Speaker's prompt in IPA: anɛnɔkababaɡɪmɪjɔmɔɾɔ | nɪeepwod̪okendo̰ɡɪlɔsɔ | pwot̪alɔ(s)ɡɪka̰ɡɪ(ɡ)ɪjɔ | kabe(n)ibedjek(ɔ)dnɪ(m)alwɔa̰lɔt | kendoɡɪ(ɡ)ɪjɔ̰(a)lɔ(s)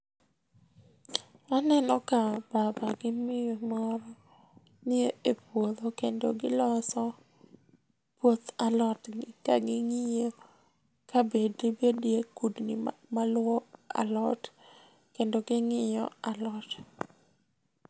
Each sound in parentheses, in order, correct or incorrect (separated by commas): incorrect, incorrect, incorrect, incorrect, correct, incorrect, correct, incorrect